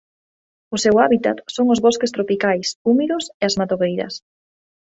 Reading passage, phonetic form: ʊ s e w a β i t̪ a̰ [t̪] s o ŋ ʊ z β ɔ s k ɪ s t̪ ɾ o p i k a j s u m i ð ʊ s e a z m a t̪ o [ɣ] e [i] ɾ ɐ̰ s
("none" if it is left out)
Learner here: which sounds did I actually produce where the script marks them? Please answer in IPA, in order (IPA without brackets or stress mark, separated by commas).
t̪, ɣ, j